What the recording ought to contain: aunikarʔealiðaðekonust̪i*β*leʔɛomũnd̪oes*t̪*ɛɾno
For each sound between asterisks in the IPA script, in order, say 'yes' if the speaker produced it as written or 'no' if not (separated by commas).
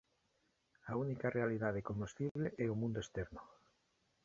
yes, yes